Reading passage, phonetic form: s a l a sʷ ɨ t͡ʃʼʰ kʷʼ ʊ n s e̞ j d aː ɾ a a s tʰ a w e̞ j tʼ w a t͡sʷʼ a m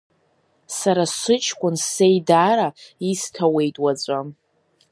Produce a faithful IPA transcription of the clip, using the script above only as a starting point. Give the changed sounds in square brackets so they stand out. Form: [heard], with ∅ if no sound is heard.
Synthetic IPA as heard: s a [ɾ] a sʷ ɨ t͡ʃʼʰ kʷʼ ʊ n s e̞ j d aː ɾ a [i] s tʰ a w e̞ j tʼ w a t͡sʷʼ a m